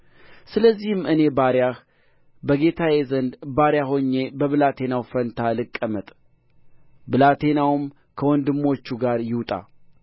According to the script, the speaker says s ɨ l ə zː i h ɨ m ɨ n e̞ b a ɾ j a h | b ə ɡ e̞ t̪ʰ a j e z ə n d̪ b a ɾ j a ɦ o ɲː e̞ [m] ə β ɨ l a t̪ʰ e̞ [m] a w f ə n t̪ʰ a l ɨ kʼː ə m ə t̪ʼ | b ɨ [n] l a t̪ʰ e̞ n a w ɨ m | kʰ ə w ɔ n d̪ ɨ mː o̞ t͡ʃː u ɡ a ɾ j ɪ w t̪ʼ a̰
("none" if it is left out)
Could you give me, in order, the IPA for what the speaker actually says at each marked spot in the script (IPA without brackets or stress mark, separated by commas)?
b, n, none